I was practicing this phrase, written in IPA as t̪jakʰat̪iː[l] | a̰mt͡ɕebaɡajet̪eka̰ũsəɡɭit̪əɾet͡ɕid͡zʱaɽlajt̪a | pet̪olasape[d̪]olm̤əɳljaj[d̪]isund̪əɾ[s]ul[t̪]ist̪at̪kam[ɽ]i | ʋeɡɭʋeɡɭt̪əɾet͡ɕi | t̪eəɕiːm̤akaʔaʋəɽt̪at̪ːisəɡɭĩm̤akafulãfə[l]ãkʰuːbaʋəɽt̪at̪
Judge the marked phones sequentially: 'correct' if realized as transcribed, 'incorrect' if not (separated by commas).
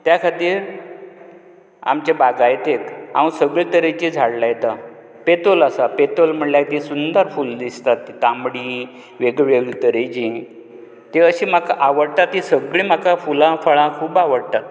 incorrect, incorrect, incorrect, incorrect, incorrect, correct, incorrect